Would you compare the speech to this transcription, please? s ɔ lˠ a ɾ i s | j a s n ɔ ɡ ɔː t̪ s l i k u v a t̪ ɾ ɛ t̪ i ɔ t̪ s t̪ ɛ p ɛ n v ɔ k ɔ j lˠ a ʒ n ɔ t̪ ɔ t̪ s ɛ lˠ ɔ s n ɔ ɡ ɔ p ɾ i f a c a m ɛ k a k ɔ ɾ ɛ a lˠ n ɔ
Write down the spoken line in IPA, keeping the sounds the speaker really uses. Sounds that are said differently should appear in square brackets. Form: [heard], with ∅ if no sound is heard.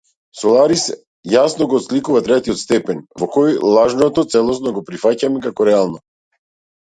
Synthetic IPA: s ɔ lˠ a ɾ i s | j a s n ɔ ɡ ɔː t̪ s l i k u v a t̪ ɾ ɛ t̪ i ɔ t̪ s t̪ ɛ p ɛ n v ɔ k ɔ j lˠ a ʒ n ɔ t̪ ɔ t̪ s ɛ lˠ ɔ s n ɔ ɡ ɔ p ɾ i f a c a m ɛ k a k ɔ ɾ ɛ a lˠ n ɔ